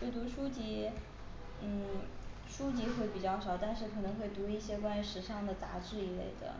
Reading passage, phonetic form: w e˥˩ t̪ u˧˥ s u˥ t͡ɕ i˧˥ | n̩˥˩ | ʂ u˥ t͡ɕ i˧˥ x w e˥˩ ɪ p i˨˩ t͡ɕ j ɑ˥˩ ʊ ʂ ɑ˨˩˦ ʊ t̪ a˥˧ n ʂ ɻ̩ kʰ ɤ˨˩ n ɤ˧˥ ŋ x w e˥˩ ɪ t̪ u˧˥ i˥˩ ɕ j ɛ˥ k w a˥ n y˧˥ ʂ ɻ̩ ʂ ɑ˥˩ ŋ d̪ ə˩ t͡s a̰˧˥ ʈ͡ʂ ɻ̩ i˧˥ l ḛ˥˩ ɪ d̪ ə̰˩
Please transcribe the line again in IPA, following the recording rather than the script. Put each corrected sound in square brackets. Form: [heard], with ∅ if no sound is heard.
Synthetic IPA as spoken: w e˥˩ t̪ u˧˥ [ʂ] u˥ t͡ɕ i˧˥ | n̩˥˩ | ʂ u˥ t͡ɕ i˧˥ x w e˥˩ ɪ p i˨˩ t͡ɕ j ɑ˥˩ ʊ ʂ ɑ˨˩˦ ʊ t̪ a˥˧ n ʂ ɻ̩ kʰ ɤ˨˩ n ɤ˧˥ ŋ x w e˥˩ ɪ t̪ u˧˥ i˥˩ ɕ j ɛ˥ k w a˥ n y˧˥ ʂ ɻ̩ ʂ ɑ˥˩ ŋ d̪ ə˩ t͡s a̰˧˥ ʈ͡ʂ ɻ̩ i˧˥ l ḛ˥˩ ɪ d̪ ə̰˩